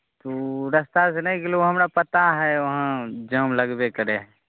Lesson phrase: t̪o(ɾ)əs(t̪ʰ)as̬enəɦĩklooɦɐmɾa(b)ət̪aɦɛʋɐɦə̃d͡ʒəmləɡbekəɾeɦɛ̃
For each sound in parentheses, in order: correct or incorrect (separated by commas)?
correct, incorrect, incorrect